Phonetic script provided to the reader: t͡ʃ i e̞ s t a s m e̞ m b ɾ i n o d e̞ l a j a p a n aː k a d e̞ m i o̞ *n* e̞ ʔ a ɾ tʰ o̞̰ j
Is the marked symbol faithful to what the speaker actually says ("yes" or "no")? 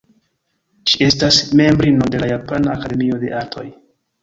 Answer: no